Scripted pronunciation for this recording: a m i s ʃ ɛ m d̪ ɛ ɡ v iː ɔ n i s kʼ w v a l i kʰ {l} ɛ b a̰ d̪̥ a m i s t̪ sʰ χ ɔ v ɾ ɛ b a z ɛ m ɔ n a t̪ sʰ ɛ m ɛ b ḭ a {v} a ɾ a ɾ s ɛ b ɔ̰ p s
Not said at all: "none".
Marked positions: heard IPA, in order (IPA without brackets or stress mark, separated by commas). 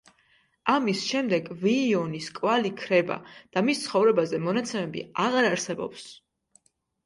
ɾ, ʁ